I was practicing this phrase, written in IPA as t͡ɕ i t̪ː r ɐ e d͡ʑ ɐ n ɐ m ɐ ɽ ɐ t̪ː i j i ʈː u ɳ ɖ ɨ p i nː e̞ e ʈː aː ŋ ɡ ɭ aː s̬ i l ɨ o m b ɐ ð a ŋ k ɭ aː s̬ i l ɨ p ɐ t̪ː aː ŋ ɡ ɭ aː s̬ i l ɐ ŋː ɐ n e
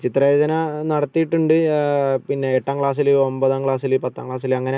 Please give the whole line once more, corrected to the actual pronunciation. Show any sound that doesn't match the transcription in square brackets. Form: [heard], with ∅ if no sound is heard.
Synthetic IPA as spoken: t͡ɕ i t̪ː r ɐ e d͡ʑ ɐ n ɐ [n] ɐ ɽ ɐ t̪ː i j i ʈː u ɳ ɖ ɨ p i nː e̞ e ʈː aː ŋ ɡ ɭ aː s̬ i l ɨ o m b ɐ ð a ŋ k ɭ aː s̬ i l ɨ p ɐ t̪ː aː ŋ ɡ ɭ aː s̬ i l ɐ ŋː ɐ n e

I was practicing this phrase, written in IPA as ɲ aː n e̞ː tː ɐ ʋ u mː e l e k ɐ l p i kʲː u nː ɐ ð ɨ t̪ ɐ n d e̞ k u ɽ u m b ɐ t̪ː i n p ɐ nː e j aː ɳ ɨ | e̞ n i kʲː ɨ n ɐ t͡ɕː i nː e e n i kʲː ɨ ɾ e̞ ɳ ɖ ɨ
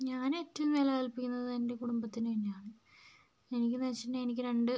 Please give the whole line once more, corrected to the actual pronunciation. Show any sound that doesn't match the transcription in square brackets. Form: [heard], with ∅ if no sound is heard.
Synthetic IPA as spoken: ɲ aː n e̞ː tː ɐ ʋ u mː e l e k ɐ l p i kʲː u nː ɐ ð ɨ t̪ ɐ n d e̞ k u ɽ u m b ɐ t̪ː i n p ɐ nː e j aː ɳ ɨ | e̞ n i kʲː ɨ n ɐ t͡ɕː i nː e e n i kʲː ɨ ɾ e̞ ɳ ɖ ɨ

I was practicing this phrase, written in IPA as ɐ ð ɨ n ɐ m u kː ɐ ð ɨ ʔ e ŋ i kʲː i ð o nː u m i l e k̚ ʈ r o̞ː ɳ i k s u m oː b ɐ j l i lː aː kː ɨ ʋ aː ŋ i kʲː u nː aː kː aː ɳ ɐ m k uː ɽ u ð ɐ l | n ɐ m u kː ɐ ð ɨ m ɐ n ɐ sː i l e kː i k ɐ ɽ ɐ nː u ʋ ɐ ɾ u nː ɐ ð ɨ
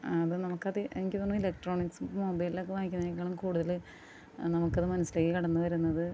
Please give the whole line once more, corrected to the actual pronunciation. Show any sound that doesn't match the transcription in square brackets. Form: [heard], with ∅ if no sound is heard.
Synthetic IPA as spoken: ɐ ð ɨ n ɐ m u kː ɐ ð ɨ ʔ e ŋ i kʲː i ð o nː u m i l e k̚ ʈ r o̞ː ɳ i k s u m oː b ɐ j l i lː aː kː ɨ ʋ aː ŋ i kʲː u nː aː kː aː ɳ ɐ m k uː ɽ u ð ɐ l | n ɐ m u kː ɐ ð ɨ m ɐ n ɐ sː i l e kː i k ɐ ɽ ɐ nː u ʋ ɐ ɾ u nː ɐ ð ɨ

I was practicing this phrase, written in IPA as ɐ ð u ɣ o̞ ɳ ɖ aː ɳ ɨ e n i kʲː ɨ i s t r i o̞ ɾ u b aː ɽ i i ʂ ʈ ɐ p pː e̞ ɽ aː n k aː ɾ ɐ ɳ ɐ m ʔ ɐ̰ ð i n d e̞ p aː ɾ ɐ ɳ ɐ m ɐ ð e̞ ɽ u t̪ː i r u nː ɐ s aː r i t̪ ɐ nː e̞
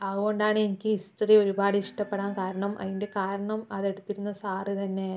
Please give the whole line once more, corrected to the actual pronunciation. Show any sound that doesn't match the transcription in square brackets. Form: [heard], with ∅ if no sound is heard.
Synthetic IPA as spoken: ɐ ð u ɣ o̞ ɳ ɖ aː ɳ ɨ e n i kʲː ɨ i s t r i o̞ ɾ u b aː ɽ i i ʂ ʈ ɐ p pː e̞ ɽ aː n k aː ɾ ɐ ɳ ɐ m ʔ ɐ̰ ð i n d e̞ [k] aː ɾ ɐ ɳ ɐ m ɐ ð e̞ ɽ u t̪ː i [ɾ] u nː ɐ s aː r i t̪ ɐ nː e̞

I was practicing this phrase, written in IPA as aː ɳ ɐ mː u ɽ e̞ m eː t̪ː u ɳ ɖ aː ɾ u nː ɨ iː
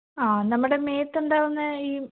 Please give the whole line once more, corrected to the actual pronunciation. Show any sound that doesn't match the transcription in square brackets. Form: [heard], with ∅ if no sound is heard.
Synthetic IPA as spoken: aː [n] ɐ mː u ɽ e̞ m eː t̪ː u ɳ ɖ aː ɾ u nː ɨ iː

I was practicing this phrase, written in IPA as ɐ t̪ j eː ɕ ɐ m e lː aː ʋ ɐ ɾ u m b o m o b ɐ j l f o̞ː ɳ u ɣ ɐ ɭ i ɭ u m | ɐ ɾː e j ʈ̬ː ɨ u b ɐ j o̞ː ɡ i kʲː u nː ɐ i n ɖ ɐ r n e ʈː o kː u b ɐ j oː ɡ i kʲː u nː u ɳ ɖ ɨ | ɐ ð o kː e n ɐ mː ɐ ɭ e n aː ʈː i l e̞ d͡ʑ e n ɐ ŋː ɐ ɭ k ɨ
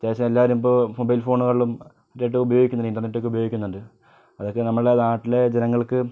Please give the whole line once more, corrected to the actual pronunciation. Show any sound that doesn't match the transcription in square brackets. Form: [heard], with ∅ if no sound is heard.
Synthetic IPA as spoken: ɐ t̪ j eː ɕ ɐ m e lː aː ʋ ɐ ɾ u m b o m o b ɐ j l f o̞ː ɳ u ɣ ɐ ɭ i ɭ u m | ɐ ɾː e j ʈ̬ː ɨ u b ɐ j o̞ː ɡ i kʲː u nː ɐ i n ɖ ɐ r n e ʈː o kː u b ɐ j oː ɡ i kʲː u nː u ɳ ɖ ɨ | ɐ ð o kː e n ɐ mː ɐ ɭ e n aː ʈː i l e̞ d͡ʑ e n ɐ ŋː ɐ ɭ k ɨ

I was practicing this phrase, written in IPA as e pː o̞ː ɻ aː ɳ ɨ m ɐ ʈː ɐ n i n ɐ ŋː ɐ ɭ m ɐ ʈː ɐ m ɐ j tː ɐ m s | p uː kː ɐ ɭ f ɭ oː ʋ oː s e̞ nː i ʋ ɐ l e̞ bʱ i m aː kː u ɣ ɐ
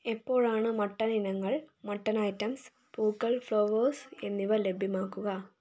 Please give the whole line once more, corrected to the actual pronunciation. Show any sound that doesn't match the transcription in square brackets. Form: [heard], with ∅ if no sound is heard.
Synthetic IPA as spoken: e pː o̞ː ɻ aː ɳ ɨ m ɐ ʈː ɐ n i n ɐ ŋː ɐ ɭ m ɐ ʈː ɐ [n] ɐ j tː ɐ m s | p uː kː ɐ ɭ f ɭ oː ʋ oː s e̞ nː i ʋ ɐ l e̞ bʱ i m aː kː u ɣ ɐ

